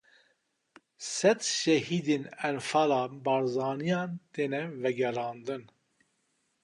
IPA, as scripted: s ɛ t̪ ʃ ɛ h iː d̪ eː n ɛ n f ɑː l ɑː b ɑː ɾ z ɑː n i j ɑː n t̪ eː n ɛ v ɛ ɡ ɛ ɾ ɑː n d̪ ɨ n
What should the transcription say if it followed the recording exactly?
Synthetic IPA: s ɛ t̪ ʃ ɛ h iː d̪ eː n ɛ n f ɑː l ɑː b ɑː ɾ z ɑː n i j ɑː n t̪ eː n ɛ v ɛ ɡ ɛ ɾ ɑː n d̪ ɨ n